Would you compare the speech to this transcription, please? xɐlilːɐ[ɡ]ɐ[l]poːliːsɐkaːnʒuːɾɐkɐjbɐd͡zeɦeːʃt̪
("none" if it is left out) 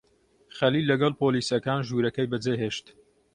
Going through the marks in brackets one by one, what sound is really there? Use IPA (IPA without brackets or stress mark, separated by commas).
ɡ, l